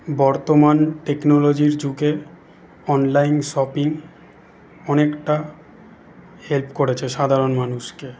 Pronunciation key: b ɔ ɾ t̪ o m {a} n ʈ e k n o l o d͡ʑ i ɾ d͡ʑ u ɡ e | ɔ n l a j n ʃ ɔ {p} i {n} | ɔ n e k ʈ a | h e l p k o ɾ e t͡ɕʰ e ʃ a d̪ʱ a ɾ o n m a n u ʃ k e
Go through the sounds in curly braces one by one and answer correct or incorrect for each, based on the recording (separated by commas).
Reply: correct, correct, incorrect